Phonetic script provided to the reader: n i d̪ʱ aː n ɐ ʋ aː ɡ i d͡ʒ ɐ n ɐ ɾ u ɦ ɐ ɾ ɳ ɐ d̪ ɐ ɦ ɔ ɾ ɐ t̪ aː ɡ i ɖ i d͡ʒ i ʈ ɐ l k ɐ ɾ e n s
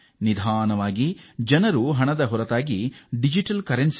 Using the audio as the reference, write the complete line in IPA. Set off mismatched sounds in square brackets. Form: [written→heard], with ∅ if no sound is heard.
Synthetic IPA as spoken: n i d̪ʱ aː n ɐ ʋ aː ɡ i d͡ʒ ɐ n ɐ ɾ u ɦ ɐ [ɾ→∅] ɳ ɐ d̪ ɐ ɦ ɔ ɾ ɐ t̪ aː ɡ i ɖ i d͡ʒ i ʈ ɐ l k ɐ ɾ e n s